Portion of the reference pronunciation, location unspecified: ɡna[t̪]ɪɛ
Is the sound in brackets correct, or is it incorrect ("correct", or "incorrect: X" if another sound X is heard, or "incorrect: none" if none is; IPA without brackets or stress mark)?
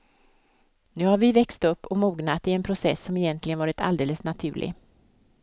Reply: correct